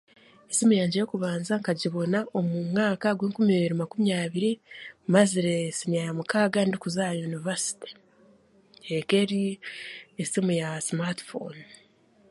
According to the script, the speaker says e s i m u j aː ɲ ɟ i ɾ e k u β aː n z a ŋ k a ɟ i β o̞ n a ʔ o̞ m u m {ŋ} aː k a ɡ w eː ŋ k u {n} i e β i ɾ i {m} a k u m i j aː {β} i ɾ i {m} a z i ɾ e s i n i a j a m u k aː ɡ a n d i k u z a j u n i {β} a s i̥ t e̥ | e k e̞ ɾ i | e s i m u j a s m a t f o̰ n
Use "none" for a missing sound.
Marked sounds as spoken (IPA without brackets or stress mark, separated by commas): ŋ, m, m, β, m, v